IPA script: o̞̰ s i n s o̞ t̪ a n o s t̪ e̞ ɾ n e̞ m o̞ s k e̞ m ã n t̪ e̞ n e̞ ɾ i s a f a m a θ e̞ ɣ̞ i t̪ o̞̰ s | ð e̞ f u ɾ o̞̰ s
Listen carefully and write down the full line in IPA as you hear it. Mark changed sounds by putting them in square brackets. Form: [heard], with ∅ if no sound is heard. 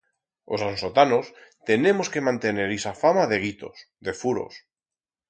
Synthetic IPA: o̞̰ s [a] n s o̞ t̪ a n o s t̪ e̞ [∅] n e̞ m o̞ s k e̞ m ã n t̪ e̞ n e̞ ɾ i s a f a m a [ð] e̞ ɣ̞ i t̪ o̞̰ s | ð e̞ f u ɾ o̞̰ s

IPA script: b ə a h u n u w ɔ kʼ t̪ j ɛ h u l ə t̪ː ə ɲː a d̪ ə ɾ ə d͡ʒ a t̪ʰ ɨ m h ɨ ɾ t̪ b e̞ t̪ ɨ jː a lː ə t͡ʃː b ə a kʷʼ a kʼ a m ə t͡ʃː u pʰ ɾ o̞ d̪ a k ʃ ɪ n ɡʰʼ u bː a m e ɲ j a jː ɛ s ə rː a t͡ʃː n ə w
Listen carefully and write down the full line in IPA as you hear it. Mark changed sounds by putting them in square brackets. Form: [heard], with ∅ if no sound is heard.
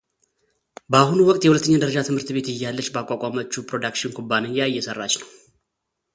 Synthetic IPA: b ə a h u n u w ɔ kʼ t̪ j ɛ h u l ə t̪ː ə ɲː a d̪ ə ɾ ə d͡ʒ a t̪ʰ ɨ m h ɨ ɾ t̪ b e̞ t̪ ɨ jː a lː ə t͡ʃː b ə a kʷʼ a kʼ a m ə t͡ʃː u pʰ ɾ o̞ d̪ a k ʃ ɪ n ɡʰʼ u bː a [n] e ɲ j a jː ɛ s ə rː a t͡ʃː n ə w

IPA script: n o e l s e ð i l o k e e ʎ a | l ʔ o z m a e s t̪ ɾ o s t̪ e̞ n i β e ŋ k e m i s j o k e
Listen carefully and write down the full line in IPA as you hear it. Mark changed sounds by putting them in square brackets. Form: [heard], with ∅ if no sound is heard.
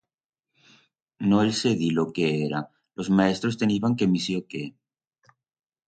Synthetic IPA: n o e l s e ð i l o k e e [ɾ] a | l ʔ o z m a e s t̪ ɾ o s t̪ e̞ n i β [a] ŋ k e m i s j o k e

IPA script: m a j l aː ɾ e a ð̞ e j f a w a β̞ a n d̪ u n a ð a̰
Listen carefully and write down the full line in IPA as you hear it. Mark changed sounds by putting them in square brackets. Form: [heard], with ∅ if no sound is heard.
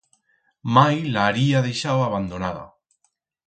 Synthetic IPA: m a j l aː ɾ [i] a ð̞ e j [ʃ] a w a β̞ a n d̪ [o] n a ð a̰

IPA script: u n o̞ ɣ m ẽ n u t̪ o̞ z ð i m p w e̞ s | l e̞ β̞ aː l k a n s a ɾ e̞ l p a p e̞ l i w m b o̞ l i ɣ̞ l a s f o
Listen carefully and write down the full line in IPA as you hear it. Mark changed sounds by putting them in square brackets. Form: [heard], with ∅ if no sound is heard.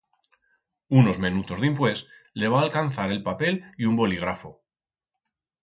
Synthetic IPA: u n o̞ [z] m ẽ n u t̪ o̞ z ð i m p w e̞ s | l e̞ β̞ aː l k a n [θ] a ɾ e̞ l p a p e̞ l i [u] m b o̞ l i ɣ̞ [ɾ] a [∅] f o

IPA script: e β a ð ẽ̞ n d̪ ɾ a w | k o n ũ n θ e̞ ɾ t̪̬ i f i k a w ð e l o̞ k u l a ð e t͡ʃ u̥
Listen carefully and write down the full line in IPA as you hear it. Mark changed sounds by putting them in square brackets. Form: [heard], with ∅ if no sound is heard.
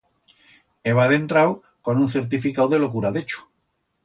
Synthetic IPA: e β a ð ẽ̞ n [t̪] ɾ a w | k o n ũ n θ e̞ ɾ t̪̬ i f i k a w ð e l o̞ k u [ɾ] a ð e t͡ʃ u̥

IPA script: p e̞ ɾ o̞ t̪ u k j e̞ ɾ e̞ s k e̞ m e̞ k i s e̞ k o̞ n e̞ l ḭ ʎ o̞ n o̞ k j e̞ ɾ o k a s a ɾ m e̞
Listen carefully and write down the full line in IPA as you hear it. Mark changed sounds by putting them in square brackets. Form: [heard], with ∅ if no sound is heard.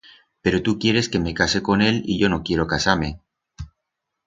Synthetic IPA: p e̞ ɾ o̞ t̪ u k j e̞ ɾ e̞ s k e̞ m e̞ k [a] s e̞ k o̞ n e̞ l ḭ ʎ o̞ n o̞ k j e̞ ɾ o k a s a ɾ m e̞

